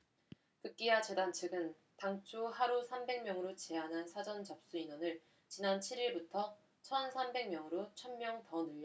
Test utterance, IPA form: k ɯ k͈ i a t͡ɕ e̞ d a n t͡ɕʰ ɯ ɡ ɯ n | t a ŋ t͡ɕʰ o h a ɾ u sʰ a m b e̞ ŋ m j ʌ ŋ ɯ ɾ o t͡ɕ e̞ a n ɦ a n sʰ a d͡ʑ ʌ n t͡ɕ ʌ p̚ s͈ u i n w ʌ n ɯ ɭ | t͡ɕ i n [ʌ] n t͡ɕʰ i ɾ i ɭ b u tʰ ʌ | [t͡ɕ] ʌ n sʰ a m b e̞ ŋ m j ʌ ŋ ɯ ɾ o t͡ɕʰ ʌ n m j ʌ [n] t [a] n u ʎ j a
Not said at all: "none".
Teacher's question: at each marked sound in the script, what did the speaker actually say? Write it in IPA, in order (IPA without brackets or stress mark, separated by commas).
a, t͡ɕʰ, ŋ, ʌ